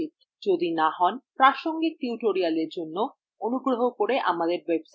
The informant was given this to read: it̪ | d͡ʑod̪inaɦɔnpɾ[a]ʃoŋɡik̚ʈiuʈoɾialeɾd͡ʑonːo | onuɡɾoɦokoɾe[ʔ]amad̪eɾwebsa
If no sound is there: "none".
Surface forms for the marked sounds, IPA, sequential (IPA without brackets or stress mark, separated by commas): a, ʔ